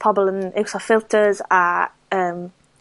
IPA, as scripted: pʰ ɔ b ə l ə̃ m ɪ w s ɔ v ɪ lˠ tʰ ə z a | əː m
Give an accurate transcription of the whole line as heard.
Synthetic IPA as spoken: pʰ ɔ b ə l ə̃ n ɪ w s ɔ f ɪ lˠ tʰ ə z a | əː m